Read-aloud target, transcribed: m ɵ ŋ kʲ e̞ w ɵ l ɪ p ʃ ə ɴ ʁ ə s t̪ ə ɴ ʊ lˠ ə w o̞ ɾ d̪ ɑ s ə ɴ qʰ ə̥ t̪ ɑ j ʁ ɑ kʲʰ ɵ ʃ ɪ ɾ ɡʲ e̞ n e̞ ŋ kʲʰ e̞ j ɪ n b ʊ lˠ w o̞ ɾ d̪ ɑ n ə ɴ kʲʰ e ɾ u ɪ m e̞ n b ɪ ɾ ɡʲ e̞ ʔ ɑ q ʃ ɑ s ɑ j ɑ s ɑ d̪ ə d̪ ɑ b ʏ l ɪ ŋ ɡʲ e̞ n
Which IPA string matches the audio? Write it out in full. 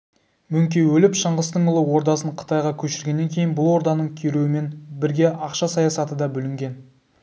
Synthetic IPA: m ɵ ŋ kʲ e̞ w ɵ l ɪ p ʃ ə ɴ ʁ ə s t̪ ə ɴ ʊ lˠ ə w o̞ ɾ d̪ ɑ s ə ɴ qʰ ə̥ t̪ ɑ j ʁ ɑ kʲʰ ɵ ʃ ɪ ɾ ɡʲ e̞ nː e̞ ŋ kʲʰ e̞ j ɪ n b ʊ lˠ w o̞ ɾ d̪ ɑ n ə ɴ kʲʰ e ɾ u ɪ m e̞ n b ɪ ɾ ɡʲ e̞ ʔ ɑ q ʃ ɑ s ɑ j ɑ s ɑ t̪ ə d̪ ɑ b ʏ l ɪ ŋ ɡʲ e̞ n